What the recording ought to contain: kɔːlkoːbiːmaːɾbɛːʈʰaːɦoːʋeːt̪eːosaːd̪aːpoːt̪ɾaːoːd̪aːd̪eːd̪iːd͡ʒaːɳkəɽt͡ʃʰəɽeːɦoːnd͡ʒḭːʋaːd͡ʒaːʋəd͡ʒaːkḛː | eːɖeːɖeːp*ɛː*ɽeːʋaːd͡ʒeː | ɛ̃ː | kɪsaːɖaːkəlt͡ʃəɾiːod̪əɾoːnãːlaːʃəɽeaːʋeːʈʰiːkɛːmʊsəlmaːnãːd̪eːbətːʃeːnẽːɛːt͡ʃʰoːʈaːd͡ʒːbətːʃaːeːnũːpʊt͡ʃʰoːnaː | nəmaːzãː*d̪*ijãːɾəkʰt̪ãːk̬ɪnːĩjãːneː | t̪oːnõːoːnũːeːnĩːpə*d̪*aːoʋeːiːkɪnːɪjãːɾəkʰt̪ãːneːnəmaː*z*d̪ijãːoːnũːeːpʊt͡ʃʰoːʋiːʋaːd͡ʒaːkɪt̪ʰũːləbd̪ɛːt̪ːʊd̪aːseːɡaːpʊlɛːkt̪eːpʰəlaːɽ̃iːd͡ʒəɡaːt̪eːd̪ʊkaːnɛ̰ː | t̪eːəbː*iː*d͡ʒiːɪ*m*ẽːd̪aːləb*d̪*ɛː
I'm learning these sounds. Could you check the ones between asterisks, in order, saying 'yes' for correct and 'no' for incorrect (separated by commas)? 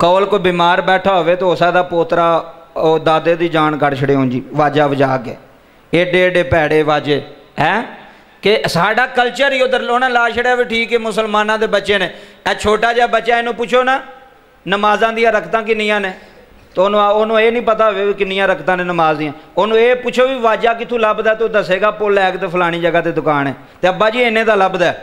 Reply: yes, yes, no, yes, no, no, yes